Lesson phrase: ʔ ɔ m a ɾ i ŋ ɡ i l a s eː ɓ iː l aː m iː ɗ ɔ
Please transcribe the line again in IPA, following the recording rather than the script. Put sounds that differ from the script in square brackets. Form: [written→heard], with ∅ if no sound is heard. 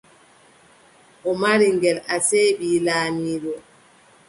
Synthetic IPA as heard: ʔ ɔ m a ɾ i ŋ ɡ [i→ɛ] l a s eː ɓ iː l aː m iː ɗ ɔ